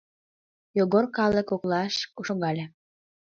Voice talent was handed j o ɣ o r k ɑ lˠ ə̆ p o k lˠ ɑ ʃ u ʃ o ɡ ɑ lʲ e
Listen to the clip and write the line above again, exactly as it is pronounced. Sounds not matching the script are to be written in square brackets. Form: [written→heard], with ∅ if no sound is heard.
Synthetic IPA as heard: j o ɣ o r k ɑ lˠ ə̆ [p→k] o k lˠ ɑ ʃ u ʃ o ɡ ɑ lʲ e